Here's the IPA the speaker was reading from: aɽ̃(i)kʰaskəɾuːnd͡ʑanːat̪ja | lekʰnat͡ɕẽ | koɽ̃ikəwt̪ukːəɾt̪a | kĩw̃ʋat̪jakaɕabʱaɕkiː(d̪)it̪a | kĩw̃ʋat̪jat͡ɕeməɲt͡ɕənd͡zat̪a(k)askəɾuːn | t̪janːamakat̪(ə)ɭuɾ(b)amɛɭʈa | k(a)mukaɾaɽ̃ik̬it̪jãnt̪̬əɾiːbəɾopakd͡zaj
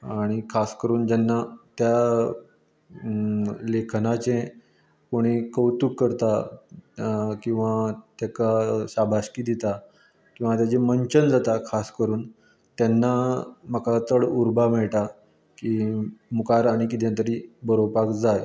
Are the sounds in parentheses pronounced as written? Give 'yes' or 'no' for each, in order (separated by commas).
yes, yes, no, yes, yes, no